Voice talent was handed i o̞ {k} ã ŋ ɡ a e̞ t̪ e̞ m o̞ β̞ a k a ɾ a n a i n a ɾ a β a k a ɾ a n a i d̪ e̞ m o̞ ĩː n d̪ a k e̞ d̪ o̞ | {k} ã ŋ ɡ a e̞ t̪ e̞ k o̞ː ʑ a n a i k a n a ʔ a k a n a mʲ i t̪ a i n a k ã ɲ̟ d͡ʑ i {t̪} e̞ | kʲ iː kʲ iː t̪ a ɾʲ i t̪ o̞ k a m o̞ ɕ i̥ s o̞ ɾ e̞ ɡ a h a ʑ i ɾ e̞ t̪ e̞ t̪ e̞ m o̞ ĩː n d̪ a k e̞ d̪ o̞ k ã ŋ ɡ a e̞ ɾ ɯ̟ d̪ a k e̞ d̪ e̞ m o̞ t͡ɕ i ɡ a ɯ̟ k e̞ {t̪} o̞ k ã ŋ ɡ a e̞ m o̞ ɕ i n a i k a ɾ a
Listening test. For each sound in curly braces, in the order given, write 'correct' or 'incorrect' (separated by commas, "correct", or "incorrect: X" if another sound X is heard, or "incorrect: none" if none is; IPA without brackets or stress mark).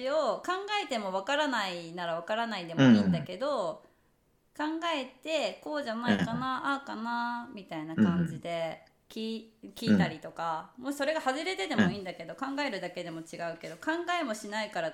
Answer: correct, correct, incorrect: d̪, incorrect: d̪